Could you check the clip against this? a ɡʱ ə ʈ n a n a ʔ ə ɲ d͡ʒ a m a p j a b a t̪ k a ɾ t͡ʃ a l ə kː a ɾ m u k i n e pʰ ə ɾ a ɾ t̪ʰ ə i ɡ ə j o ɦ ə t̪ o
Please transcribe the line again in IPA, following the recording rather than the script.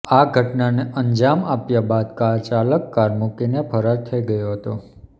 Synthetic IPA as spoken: a ɡʱ ə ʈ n a n e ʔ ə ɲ d͡ʒ a m a p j a b a d̪ k a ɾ t͡ʃ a l ə kː a ɾ m u k i n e pʰ ə ɾ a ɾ t̪ʰ ə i ɡ ə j o ɦ ə t̪ o